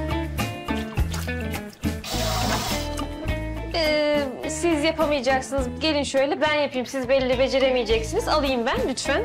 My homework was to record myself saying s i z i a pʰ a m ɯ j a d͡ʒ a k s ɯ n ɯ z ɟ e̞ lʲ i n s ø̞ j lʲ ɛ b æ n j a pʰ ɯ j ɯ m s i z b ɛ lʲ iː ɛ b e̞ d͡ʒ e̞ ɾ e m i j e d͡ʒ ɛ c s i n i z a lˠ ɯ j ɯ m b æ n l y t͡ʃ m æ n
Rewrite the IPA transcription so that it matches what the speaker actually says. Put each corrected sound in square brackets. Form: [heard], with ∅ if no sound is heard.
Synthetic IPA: s i z [j] a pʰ a m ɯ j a d͡ʒ a k s ɯ n ɯ z ɟ e̞ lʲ i n [ʃ] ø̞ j lʲ ɛ b æ n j a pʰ ɯ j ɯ m s i z b ɛ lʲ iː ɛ b e̞ d͡ʒ e̞ ɾ e m i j e d͡ʒ ɛ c s i n i z a lˠ ɯ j ɯ m b æ n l y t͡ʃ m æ n